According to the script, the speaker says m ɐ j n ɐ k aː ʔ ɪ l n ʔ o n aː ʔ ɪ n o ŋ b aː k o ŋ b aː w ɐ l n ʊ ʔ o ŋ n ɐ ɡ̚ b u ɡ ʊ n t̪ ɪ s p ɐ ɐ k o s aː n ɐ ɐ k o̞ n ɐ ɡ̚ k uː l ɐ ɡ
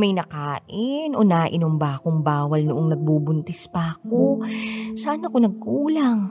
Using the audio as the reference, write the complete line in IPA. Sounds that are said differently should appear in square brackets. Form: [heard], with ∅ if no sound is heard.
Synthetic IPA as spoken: m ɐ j n ɐ k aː ʔ ɪ [∅] n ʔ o n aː ʔ ɪ n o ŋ b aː k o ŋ b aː w ɐ l n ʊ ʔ o ŋ n ɐ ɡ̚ b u [b] ʊ n t̪ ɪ s p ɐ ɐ k o s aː n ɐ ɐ k o̞ n ɐ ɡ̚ k uː l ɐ [ŋ]